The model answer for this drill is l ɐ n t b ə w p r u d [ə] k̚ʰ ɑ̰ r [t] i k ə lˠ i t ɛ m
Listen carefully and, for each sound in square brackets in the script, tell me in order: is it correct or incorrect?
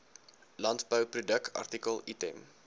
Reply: correct, correct

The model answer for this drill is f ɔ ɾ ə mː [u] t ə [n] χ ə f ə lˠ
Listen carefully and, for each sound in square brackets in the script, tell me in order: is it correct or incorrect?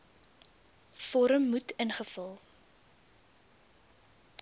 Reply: correct, correct

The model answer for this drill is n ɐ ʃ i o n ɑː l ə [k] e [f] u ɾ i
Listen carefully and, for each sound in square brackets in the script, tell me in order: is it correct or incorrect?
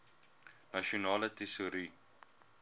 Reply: incorrect: t, incorrect: s

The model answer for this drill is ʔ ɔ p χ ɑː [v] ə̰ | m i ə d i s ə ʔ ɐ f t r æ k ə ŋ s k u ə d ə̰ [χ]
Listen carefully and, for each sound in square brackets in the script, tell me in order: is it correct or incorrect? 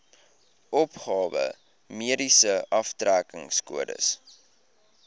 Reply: correct, incorrect: s

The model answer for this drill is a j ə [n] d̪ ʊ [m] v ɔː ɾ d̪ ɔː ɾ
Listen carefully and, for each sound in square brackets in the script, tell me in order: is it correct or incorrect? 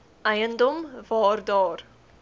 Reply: correct, correct

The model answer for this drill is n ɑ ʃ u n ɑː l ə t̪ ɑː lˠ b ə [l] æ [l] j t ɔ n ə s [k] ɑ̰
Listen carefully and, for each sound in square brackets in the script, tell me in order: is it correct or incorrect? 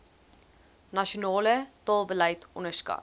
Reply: correct, incorrect: none, correct

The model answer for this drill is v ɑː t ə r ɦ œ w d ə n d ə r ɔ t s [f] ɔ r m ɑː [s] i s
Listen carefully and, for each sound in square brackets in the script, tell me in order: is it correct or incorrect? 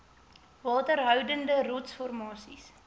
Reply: correct, correct

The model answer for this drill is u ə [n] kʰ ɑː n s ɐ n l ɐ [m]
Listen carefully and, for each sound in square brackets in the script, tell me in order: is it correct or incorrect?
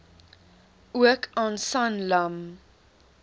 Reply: incorrect: none, correct

